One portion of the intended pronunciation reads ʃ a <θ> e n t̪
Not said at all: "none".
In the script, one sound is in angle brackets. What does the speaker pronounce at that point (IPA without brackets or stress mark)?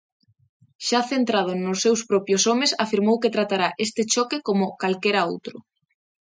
θ